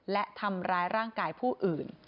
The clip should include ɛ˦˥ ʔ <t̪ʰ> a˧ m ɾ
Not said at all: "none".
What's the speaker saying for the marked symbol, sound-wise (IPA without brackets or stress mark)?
t̪ʰ